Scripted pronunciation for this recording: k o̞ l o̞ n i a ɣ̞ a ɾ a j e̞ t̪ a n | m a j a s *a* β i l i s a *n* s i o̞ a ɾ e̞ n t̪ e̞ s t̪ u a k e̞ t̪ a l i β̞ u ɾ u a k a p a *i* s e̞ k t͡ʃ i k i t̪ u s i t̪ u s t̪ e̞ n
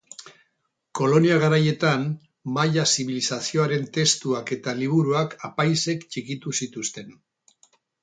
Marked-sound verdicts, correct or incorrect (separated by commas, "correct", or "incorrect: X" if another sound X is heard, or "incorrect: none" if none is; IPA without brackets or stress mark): incorrect: i, incorrect: none, incorrect: j